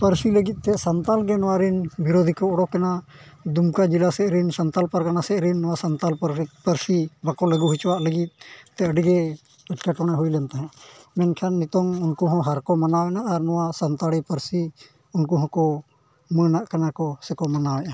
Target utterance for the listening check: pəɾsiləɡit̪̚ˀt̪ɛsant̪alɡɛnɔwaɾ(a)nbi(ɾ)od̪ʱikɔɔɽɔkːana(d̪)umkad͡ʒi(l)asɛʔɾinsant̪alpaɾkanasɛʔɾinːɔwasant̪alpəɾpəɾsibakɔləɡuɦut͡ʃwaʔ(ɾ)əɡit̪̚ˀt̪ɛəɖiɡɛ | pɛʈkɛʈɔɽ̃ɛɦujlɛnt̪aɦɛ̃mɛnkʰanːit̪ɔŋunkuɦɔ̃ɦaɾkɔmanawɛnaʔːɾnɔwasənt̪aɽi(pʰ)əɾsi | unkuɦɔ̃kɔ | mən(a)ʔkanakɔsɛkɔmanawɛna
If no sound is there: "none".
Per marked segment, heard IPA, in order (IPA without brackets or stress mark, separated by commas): i, ɾ, d̪, l, l, p, a